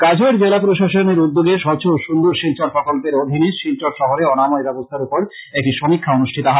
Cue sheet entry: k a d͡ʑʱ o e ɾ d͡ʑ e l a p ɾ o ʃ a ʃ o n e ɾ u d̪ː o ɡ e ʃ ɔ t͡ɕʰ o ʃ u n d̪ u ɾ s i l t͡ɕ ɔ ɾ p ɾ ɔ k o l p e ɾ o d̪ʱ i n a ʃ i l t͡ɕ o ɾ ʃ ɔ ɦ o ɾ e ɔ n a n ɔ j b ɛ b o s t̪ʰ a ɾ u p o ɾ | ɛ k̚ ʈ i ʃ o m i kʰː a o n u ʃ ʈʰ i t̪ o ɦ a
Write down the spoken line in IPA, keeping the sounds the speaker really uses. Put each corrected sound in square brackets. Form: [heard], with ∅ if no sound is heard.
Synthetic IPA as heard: k a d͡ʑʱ o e ɾ d͡ʑ e l a p ɾ o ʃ a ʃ o n e ɾ u d̪ː o ɡ e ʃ ɔ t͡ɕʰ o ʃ u n d̪ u ɾ [ʃ] i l t͡ɕ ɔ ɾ p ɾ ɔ k o l p e ɾ o d̪ʱ i n [i] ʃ i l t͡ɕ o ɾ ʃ ɔ ɦ o ɾ e ɔ n a [m] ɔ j b ɛ b o s t̪ʰ a ɾ u p o ɾ | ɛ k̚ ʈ i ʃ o m i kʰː a o n u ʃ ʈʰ i t̪ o ɦ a